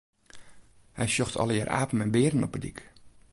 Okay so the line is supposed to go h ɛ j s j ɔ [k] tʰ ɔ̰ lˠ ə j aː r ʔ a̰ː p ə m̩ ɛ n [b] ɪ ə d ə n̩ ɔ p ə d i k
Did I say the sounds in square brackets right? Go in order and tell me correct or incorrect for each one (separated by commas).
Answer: incorrect, correct